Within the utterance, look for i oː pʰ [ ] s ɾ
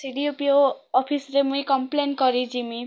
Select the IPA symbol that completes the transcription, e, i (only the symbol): i